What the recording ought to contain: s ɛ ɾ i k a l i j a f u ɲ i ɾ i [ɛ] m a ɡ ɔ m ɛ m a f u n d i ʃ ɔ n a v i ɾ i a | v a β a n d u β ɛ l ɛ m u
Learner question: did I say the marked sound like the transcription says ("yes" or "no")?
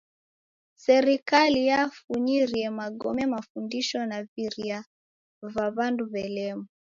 yes